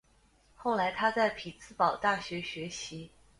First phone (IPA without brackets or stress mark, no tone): x